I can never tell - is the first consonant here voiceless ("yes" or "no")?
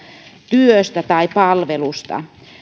yes